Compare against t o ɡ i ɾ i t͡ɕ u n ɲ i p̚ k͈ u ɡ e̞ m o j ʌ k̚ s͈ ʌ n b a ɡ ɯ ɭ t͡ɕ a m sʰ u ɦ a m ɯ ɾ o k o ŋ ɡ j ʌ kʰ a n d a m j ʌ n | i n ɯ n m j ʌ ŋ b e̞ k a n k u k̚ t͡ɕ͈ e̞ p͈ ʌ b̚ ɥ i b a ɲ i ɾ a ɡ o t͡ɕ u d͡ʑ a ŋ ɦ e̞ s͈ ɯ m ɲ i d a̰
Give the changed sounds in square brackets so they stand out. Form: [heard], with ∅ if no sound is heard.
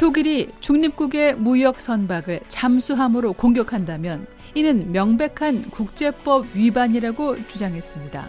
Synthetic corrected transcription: t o ɡ i ɾ i t͡ɕ u [ŋ] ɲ i p̚ k͈ u ɡ e̞ m [u] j ʌ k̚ s͈ ʌ n b a ɡ ɯ ɭ t͡ɕ a m sʰ u ɦ a m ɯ ɾ o k o ŋ ɡ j ʌ kʰ a n d a m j ʌ n | i n ɯ n m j ʌ ŋ b e̞ [kʰ] a n k u k̚ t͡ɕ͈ e̞ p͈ ʌ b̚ ɥ i b a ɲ i ɾ a ɡ o t͡ɕ u d͡ʑ a ŋ ɦ e̞ s͈ ɯ m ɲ i d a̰